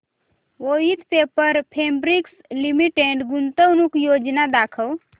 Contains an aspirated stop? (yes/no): yes